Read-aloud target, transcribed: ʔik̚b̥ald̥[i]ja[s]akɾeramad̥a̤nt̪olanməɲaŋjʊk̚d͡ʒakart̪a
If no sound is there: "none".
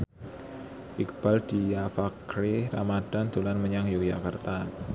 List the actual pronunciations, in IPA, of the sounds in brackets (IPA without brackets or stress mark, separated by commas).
i, f